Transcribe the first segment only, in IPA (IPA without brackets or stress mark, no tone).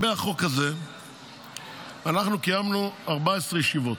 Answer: b